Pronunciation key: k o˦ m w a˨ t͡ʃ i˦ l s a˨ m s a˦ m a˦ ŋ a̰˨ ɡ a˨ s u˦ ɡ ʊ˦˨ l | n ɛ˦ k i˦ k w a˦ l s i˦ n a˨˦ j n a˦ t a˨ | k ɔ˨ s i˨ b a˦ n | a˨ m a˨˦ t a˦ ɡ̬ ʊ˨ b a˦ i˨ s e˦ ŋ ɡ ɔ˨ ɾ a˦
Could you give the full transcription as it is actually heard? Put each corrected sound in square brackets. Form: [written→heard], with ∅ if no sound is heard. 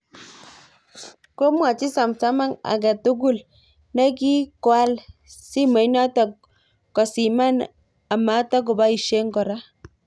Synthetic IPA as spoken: k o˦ m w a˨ t͡ʃ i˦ [l→∅] s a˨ m s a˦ m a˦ ŋ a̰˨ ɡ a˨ [s→t] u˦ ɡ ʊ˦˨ l | n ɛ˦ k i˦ k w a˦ l s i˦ [n→m] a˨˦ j n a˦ t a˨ | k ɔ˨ s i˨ [b→m] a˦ n | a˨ m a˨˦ t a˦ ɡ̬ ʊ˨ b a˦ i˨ [s→ʃ] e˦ ŋ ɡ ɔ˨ ɾ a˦